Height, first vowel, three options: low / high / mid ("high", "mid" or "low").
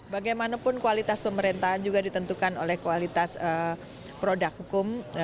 low